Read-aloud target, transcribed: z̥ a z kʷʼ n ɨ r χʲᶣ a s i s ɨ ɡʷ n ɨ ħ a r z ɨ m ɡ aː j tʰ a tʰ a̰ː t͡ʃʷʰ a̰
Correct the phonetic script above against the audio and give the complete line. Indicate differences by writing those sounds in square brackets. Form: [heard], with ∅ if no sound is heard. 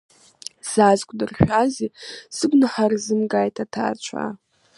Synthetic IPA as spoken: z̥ a z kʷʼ [d] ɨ r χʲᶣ a [z] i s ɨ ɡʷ n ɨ ħ a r z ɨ m ɡ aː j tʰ a tʰ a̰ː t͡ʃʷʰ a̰